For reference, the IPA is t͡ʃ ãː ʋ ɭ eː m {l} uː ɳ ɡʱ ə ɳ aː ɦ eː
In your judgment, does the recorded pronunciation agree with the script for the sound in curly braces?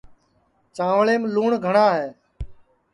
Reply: yes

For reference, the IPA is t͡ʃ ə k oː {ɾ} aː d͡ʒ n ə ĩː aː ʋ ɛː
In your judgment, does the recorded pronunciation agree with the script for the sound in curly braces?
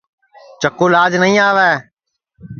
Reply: no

